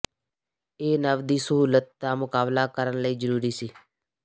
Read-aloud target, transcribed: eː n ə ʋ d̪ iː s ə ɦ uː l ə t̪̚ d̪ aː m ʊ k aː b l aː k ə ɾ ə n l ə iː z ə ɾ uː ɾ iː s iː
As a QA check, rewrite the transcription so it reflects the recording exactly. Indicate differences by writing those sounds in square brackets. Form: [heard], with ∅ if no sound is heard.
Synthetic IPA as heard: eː n ə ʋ d̪ iː s ə ɦ uː l ə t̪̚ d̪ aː m ʊ k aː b l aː k ə ɾ ə n l ə iː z ə ɾ uː ɾ iː s iː